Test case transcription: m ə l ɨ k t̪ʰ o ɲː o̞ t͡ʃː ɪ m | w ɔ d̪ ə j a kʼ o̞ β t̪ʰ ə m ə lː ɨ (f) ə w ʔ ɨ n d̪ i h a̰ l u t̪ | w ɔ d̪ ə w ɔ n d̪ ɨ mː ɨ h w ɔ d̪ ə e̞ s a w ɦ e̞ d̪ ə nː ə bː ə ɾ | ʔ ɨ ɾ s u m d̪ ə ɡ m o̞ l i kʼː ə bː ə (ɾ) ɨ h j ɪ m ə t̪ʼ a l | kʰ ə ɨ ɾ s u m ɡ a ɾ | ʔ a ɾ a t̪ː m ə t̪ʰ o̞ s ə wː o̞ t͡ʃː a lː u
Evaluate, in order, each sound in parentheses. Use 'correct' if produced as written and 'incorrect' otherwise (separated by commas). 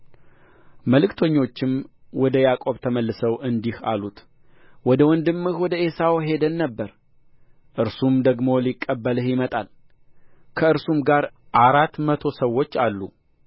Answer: incorrect, incorrect